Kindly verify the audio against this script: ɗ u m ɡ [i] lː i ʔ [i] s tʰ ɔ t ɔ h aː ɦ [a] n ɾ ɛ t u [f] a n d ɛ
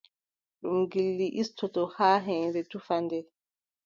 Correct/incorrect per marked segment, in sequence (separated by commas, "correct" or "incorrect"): correct, correct, incorrect, correct